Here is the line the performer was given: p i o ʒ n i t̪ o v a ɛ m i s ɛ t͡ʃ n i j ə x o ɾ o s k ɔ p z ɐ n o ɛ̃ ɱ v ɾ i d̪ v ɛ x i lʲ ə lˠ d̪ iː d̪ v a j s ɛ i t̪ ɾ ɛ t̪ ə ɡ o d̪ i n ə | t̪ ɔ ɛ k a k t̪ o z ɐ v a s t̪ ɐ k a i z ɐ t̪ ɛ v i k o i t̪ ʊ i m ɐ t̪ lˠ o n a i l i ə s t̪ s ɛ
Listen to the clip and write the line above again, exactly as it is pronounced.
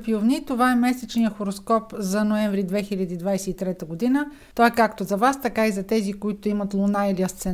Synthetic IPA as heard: p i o v n i t̪ o v a ɛ m ɛ s ɛ t͡ʃ n i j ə x o ɾ o s k ɔ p z ɐ n o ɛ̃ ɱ v ɾ i d̪ v ɛ x i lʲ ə d̪ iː d̪ v a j s ɛ i t̪ ɾ ɛ t̪ ə ɡ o d̪ i n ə | t̪ ɔ ɛ k a k t̪ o z ɐ v a s t̪ ɐ k a i z ɐ t̪ ɛ z i k o i t̪ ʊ i m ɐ t̪ lˠ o n a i l i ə s t̪ s ɛ